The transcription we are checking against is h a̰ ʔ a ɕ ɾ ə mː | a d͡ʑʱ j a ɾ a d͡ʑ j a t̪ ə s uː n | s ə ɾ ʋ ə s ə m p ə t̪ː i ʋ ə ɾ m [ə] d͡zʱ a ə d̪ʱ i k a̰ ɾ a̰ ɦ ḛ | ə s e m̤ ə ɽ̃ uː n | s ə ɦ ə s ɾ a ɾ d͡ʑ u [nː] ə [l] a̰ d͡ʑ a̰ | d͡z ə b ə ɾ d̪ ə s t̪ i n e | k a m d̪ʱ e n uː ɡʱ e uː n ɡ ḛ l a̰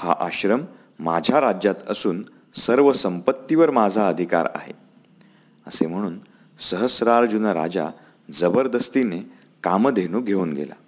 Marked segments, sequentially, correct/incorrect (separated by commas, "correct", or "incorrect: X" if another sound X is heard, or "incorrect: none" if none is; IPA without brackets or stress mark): incorrect: a, incorrect: n, incorrect: ɾ